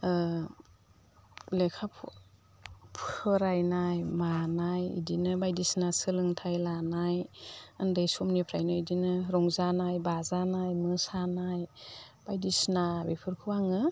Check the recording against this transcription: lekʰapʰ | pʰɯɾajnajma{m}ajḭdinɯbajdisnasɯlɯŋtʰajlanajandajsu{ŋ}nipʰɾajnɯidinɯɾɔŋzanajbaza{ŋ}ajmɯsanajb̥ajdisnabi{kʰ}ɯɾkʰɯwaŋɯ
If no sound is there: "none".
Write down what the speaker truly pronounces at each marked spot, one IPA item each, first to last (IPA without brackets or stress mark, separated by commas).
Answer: n, m, n, pʰ